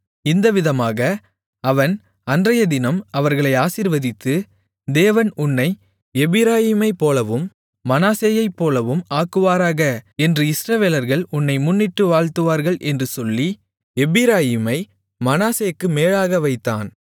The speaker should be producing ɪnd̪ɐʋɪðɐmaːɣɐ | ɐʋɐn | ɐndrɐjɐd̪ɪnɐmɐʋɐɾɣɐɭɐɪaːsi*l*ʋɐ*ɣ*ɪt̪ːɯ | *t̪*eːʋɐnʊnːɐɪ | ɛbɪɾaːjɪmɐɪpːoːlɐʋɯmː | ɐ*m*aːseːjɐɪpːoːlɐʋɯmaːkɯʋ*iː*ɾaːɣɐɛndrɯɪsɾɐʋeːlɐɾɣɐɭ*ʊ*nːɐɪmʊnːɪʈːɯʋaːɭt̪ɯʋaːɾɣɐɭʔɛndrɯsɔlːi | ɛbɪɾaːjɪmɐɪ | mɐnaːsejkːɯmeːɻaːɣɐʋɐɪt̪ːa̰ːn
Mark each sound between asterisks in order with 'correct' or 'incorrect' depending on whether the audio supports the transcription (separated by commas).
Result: incorrect, incorrect, incorrect, incorrect, incorrect, correct